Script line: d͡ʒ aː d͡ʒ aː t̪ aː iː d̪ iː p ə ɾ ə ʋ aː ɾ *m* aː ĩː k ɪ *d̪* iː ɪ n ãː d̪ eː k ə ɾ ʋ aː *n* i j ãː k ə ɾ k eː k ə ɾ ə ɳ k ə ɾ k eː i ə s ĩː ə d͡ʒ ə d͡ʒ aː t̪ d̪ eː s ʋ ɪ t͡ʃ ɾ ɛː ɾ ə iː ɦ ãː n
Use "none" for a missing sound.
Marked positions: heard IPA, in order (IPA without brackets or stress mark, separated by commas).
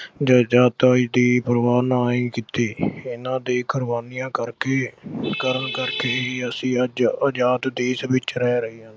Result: n, t̪, n